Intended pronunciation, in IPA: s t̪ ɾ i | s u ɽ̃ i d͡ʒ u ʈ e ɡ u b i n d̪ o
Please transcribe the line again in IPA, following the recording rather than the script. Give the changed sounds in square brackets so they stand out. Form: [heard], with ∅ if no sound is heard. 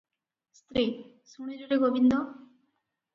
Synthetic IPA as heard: s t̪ ɾ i | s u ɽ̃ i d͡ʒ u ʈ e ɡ [o] b i n d̪ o